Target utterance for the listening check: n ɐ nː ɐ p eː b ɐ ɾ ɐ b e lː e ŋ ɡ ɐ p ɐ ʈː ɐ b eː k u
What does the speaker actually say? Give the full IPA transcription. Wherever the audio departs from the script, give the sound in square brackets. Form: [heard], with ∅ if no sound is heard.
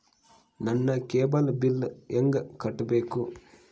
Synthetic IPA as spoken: n ɐ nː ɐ [k] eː b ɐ [l] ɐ b [i] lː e ŋ ɡ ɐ [k] ɐ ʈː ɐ b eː k u